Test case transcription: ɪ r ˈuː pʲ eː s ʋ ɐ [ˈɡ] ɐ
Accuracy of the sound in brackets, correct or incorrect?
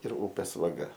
correct